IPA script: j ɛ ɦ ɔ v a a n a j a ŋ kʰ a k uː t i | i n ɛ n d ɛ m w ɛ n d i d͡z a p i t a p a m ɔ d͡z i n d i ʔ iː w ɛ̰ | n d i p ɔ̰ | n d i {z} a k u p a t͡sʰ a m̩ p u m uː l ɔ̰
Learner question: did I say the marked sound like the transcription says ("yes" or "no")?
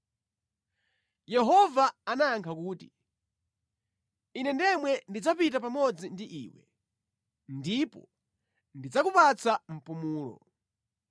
no